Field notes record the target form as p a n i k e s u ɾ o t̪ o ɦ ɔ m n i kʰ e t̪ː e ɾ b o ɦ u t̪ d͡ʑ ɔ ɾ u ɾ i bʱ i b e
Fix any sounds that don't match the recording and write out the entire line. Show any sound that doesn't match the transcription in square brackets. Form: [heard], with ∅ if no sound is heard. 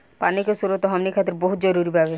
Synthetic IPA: p a n i k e s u ɾ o t̪ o ɦ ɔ m n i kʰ [a] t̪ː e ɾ b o ɦ u t̪ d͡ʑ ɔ ɾ u ɾ i bʱ [a] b e

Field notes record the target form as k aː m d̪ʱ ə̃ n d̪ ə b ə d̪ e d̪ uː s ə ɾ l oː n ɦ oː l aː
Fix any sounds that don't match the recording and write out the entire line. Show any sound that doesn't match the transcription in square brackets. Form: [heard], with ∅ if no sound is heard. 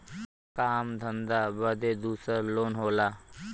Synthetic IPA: k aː m d̪ʱ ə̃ n d̪ [a] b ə d̪ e d̪ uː s ə ɾ l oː n ɦ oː l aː

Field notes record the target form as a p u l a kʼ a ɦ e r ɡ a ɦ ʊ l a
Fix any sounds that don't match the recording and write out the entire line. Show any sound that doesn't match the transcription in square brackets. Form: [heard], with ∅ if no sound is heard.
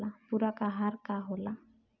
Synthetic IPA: a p u [ɾ] a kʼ a ɦ [a] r [k] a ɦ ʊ l a

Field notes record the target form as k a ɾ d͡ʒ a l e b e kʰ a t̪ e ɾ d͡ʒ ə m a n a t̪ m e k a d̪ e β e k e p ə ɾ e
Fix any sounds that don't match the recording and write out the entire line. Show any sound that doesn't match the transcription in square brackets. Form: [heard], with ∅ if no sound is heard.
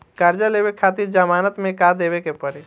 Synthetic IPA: k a ɾ d͡ʒ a l e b e kʰ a t̪ [i] ɾ d͡ʒ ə m a n [ə] t̪ m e k a d̪ e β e k e p ə ɾ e

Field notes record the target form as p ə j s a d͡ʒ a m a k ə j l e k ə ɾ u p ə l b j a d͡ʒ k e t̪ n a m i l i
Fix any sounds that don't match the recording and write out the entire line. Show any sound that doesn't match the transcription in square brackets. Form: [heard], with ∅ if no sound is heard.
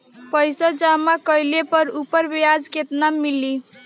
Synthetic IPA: p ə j s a d͡ʒ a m a k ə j l e [p] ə ɾ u p ə [ɾ] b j a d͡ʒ k e t̪ n a m i l i

